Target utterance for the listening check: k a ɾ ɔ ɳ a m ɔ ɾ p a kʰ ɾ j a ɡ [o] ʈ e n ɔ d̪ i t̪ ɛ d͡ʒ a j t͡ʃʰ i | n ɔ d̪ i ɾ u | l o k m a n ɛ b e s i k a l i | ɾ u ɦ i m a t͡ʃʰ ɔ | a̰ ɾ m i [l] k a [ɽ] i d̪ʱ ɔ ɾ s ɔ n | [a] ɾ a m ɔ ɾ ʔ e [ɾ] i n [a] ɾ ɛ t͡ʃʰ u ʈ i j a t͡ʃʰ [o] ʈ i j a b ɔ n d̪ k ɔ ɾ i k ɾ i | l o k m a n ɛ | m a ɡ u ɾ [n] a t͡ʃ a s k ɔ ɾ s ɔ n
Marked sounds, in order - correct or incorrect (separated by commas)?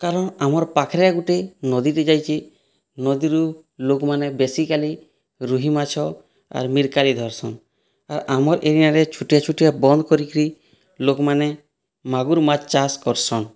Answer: incorrect, incorrect, incorrect, correct, correct, correct, incorrect, incorrect